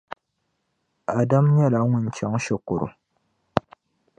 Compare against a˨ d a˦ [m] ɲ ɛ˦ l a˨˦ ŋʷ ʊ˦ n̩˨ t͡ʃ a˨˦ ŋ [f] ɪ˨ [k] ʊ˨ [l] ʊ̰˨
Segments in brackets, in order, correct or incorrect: correct, incorrect, correct, incorrect

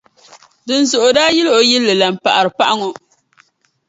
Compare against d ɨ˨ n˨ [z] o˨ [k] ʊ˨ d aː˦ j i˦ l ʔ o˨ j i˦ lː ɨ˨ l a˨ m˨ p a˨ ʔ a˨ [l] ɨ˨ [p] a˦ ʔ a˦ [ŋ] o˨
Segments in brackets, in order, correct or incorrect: correct, incorrect, incorrect, correct, correct

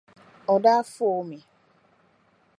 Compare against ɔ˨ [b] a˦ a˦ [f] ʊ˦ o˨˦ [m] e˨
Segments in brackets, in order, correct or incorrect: incorrect, correct, correct

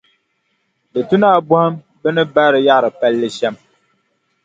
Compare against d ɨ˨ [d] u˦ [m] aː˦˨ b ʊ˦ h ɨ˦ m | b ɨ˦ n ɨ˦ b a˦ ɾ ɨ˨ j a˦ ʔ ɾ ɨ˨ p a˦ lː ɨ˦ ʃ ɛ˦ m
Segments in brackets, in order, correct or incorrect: incorrect, incorrect

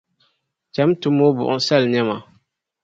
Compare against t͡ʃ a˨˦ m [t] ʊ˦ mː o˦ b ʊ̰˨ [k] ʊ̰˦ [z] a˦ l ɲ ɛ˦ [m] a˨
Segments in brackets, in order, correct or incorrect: correct, incorrect, incorrect, correct

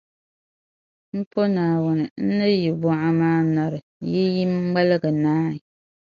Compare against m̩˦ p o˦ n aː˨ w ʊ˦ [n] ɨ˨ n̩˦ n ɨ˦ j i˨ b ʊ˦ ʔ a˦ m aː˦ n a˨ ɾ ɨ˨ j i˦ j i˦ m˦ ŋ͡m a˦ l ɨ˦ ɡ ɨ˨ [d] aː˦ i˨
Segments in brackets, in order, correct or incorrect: correct, incorrect

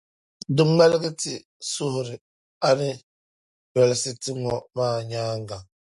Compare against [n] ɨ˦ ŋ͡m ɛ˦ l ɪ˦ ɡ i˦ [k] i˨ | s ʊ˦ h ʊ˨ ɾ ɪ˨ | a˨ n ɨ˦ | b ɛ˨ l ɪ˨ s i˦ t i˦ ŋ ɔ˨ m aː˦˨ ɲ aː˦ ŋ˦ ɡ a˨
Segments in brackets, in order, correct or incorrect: incorrect, incorrect

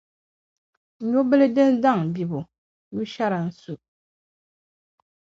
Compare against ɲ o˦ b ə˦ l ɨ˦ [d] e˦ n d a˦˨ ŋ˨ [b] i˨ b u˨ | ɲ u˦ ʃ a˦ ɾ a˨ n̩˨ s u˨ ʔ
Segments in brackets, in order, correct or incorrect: correct, correct

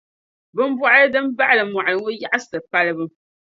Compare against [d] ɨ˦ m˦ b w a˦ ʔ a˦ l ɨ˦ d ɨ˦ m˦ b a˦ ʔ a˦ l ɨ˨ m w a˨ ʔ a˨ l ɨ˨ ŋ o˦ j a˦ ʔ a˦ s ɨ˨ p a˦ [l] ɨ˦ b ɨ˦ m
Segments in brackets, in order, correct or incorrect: incorrect, correct

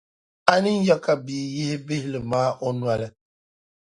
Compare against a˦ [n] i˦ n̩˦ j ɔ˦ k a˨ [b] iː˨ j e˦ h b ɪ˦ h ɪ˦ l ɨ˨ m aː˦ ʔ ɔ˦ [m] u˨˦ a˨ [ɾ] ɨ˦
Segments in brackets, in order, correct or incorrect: correct, correct, incorrect, incorrect

